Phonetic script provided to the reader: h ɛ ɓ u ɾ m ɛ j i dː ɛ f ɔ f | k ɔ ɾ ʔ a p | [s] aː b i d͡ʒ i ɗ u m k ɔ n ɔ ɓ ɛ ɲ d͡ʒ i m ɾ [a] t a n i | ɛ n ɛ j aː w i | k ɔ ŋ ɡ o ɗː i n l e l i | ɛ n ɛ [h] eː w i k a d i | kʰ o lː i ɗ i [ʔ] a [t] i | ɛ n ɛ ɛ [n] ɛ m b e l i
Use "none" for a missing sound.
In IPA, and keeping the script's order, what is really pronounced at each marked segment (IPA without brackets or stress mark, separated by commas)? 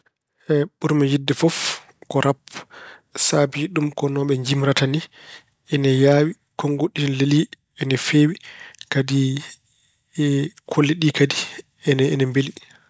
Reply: s, a, f, k, d, n